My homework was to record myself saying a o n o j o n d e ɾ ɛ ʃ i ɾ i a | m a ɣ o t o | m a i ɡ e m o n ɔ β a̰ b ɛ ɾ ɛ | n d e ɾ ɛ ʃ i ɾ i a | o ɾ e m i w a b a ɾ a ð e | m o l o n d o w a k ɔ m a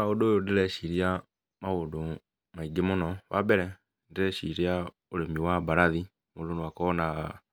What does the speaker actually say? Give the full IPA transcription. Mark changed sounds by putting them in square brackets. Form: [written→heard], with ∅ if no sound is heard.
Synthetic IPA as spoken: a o [n→d] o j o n d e ɾ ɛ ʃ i ɾ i a | m a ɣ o [t→d] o | m a i ɡ e m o n ɔ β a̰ b ɛ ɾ ɛ | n d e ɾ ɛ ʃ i ɾ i a | o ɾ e m i w a b a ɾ a ð [e→i] | m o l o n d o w a k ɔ [m→n] a